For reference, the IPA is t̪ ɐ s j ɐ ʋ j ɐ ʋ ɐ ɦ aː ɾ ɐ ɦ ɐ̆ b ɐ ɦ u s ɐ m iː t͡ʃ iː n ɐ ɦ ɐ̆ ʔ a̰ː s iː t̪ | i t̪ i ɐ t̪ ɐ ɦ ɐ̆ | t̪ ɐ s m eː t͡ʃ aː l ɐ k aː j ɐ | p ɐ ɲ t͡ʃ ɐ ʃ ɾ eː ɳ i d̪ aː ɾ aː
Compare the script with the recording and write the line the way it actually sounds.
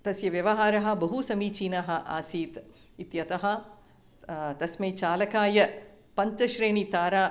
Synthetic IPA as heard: t̪ ɐ s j ɐ ʋ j ɐ ʋ ɐ ɦ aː ɾ ɐ ɦ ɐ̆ b ɐ ɦ u s ɐ m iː t͡ʃ iː n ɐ ɦ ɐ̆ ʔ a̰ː s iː t̪ | i t̪ j ɐ t̪ ɐ ɦ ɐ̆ | t̪ ɐ s m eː t͡ʃ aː l ɐ k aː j ɐ | p ɐ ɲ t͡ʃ ɐ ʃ ɾ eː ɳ i t̪ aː ɾ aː